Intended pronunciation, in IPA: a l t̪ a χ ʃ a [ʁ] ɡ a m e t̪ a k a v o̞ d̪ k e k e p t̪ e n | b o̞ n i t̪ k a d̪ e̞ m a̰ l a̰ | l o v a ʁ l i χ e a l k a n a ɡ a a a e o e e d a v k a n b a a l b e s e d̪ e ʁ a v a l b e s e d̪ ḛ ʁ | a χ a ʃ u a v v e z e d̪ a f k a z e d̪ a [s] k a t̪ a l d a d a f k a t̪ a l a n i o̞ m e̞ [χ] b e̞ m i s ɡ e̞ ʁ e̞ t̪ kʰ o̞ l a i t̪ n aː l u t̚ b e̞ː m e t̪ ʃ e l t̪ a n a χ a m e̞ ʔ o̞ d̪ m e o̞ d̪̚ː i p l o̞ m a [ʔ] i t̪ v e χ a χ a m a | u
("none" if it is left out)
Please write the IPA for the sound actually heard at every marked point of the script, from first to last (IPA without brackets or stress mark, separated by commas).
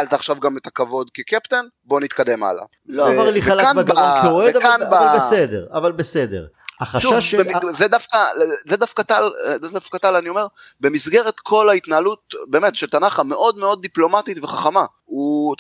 v, f, ʁ, t